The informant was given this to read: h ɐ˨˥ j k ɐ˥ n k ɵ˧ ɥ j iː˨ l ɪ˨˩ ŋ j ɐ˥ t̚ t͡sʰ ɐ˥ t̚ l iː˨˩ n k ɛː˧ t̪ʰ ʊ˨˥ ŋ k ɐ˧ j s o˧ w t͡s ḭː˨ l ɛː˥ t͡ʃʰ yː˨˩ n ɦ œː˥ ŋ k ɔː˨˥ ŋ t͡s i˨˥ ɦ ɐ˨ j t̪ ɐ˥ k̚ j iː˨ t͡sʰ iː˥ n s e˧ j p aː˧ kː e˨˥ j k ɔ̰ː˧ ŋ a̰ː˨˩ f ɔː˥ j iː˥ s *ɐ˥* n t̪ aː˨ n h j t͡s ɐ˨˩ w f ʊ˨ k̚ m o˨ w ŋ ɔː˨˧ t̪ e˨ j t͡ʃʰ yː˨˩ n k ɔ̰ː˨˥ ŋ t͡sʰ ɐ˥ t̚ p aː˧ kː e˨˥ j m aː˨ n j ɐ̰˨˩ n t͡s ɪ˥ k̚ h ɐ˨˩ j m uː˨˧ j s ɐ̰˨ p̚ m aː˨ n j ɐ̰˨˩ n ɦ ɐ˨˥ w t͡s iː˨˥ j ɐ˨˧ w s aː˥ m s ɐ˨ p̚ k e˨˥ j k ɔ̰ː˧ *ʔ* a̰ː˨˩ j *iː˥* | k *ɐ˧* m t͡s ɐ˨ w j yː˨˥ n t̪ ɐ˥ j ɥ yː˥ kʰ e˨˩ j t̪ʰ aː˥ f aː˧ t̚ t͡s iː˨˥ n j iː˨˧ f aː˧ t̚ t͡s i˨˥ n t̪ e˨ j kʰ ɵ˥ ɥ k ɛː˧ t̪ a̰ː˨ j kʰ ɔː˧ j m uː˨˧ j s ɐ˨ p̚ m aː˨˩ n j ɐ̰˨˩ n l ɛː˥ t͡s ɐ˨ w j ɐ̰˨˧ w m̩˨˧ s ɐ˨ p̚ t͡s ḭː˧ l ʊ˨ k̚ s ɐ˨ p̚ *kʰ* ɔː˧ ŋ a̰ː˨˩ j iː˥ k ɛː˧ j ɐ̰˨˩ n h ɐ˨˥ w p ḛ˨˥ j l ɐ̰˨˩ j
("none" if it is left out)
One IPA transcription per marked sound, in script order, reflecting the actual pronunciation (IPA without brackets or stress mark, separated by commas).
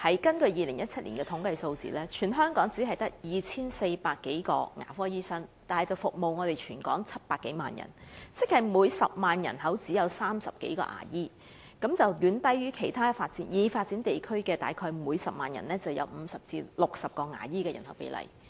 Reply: ɐ˥, ʔ, iː˥, ɐ˨˥, k